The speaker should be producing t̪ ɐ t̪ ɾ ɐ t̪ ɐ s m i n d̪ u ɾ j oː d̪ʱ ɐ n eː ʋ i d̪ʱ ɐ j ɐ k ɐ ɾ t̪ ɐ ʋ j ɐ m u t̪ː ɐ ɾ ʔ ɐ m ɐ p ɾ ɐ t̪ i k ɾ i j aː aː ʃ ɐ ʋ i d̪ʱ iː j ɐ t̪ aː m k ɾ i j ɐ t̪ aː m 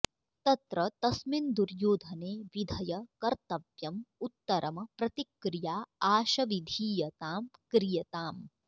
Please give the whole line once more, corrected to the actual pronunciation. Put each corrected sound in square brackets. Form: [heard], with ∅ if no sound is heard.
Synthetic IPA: t̪ ɐ t̪ ɾ ɐ t̪ ɐ s m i n d̪ u ɾ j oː d̪ʱ ɐ n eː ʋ i d̪ʱ ɐ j ɐ k ɐ ɾ t̪ ɐ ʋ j ɐ m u t̪ː ɐ ɾ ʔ ɐ m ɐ p ɾ ɐ t̪ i k ɾ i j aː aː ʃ ɐ ʋ i d̪ʱ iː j ɐ t̪ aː m k ɾ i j ɐ t̪ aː m

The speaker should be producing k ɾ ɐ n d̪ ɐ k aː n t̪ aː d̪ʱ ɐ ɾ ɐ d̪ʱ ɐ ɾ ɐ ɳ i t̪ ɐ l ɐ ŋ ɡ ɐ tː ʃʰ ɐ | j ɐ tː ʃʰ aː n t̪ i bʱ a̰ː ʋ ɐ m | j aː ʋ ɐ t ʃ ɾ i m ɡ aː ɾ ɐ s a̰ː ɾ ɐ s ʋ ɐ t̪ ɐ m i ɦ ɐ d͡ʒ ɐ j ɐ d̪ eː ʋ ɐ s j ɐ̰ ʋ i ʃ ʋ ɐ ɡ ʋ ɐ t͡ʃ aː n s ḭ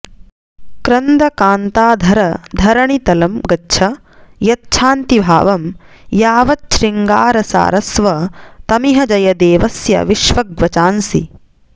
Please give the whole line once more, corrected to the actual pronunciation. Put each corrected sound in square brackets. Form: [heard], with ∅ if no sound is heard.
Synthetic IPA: k ɾ ɐ n d̪ ɐ k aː n t̪ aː d̪ʱ ɐ ɾ ɐ d̪ʱ ɐ ɾ ɐ ɳ i t̪ ɐ l ɐ [m] ɡ ɐ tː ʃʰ ɐ | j ɐ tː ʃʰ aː n t̪ i bʱ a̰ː ʋ ɐ m | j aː ʋ ɐ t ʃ ɾ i [ŋ] ɡ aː ɾ ɐ s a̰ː ɾ ɐ s ʋ ɐ t̪ ɐ m i ɦ ɐ d͡ʒ ɐ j ɐ d̪ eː ʋ ɐ s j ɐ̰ ʋ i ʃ ʋ ɐ ɡ ʋ ɐ t͡ʃ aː n s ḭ

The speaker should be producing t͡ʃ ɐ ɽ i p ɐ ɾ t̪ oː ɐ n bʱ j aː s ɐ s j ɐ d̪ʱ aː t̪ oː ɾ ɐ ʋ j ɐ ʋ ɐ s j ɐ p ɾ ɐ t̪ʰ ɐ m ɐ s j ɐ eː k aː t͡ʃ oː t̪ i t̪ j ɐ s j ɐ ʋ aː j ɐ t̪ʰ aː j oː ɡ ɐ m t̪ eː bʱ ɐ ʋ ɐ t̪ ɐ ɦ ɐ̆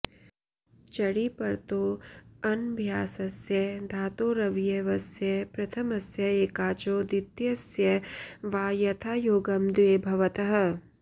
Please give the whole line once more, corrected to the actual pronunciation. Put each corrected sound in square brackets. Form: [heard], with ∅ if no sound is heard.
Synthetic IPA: t͡ʃ ɐ ɽ i p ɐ ɾ t̪ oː ɐ n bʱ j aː s ɐ s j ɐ d̪ʱ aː t̪ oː ɾ ɐ ʋ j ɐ ʋ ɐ s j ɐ p ɾ ɐ t̪ʰ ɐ m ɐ s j ɐ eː k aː t͡ʃ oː [d̪] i t̪ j ɐ s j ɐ ʋ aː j ɐ t̪ʰ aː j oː ɡ ɐ m [d̪] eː bʱ ɐ ʋ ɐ t̪ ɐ ɦ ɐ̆

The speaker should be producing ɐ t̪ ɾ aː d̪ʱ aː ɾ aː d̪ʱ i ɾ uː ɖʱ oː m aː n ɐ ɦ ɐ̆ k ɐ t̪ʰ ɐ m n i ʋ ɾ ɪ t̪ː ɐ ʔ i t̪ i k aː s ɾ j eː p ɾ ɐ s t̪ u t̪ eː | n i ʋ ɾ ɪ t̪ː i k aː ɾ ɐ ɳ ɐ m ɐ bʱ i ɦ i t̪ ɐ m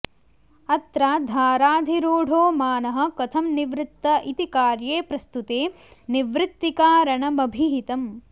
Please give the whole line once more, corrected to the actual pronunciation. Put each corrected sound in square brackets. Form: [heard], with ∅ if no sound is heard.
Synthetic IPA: ɐ t̪ ɾ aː d̪ʱ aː ɾ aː d̪ʱ i ɾ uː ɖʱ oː m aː n ɐ ɦ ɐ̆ k ɐ t̪ʰ ɐ m n i ʋ ɾ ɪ t̪ː ɐ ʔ i t̪ i k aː [∅] ɾ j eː p ɾ ɐ s t̪ u t̪ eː | n i ʋ ɾ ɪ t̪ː i k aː ɾ ɐ ɳ ɐ m ɐ bʱ i ɦ i t̪ ɐ m

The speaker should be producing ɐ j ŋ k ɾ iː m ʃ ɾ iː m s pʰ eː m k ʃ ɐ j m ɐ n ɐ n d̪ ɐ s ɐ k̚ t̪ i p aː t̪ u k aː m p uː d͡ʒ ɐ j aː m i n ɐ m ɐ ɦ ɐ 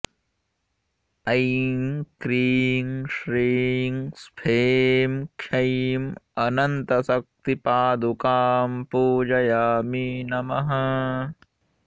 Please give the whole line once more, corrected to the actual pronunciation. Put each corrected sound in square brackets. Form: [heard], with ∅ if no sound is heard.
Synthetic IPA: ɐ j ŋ k ɾ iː [ŋ] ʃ ɾ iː [ŋ] s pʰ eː m k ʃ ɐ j m ɐ n ɐ n [t̪] ɐ s ɐ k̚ t̪ i p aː [d̪] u k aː m p uː d͡ʒ ɐ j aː m i n ɐ m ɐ ɦ ɐ

